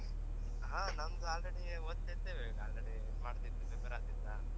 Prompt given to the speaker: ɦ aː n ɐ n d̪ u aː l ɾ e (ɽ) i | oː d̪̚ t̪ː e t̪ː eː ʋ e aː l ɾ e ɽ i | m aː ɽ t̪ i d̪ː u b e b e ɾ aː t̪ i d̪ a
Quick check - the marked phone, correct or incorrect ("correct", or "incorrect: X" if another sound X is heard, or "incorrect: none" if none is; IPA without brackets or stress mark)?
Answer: correct